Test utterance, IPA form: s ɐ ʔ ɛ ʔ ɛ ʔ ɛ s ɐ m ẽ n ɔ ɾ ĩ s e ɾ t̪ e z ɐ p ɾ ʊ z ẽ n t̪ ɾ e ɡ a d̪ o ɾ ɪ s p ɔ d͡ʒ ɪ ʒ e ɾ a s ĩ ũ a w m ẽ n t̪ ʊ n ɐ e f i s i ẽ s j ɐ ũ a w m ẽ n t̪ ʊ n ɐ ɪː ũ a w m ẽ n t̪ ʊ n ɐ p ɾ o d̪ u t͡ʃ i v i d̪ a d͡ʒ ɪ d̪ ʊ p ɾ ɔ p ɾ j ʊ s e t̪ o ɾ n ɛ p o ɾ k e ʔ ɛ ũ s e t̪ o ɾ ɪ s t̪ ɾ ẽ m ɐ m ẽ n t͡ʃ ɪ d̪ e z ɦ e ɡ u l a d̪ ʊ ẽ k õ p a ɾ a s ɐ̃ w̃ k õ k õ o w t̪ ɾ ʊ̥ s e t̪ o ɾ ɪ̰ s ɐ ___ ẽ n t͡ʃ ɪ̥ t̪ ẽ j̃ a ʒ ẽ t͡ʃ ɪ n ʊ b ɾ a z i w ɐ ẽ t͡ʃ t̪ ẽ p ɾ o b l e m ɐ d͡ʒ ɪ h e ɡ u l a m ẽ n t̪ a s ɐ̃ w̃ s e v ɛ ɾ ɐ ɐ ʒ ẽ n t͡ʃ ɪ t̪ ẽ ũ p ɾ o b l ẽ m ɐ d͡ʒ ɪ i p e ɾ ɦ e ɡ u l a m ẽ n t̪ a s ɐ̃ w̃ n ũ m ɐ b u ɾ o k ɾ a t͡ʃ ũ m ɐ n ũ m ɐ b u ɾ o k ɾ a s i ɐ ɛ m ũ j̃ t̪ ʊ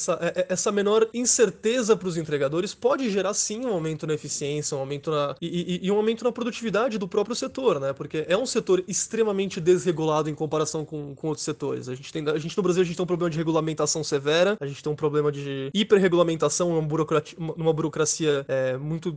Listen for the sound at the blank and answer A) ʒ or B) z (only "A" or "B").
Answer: A